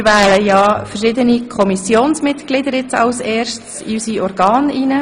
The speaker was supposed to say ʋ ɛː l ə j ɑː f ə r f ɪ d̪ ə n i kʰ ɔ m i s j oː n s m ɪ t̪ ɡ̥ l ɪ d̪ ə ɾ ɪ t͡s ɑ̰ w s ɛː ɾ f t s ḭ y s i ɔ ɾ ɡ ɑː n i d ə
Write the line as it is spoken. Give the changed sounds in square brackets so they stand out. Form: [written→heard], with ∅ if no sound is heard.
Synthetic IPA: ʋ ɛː l ə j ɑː f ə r [f→ʃ] ɪ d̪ ə n i kʰ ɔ m i s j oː n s m ɪ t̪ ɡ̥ l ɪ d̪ ə ɾ ɪ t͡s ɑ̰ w s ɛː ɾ [f→ʃ] t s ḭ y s i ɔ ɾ ɡ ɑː n i [d→n] ə